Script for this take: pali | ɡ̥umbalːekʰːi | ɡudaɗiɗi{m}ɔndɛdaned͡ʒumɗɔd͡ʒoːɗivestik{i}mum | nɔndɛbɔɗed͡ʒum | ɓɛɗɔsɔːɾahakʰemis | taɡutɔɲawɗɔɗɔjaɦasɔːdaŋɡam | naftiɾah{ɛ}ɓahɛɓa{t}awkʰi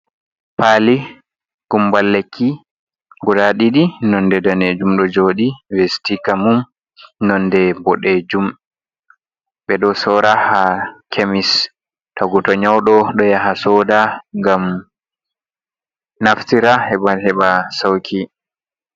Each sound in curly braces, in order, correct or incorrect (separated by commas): incorrect, incorrect, correct, incorrect